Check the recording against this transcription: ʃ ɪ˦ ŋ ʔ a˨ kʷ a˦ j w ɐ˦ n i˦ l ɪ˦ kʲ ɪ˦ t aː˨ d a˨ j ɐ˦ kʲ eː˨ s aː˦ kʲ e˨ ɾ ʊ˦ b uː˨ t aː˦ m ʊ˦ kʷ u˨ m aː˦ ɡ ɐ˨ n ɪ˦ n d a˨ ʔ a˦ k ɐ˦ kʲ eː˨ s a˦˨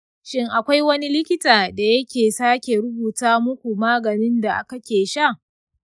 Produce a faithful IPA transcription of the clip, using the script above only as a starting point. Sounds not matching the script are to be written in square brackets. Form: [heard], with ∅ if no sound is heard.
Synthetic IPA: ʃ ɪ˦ ŋ ʔ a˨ kʷ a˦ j w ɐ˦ n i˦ l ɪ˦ kʲ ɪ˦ t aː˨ d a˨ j ɐ˦ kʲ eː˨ s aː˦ kʲ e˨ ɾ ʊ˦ b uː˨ t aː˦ m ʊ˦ kʷ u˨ m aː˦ ɡ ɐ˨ n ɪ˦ n d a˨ ʔ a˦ k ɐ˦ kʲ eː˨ [ʃ] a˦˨